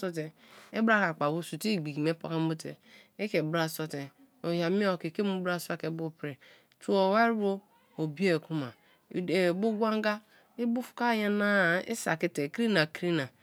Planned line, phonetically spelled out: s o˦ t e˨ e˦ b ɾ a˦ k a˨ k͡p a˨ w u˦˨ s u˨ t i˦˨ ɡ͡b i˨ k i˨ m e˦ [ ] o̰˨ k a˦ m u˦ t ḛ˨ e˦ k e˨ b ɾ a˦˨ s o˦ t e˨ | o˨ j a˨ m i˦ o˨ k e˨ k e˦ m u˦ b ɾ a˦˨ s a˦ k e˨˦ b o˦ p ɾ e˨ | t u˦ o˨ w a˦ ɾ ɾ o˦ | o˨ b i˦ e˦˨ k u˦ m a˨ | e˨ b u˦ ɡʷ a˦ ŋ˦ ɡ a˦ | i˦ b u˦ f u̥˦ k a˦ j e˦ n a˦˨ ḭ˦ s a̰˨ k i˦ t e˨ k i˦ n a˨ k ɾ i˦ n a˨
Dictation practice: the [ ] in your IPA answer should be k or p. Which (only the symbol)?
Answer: p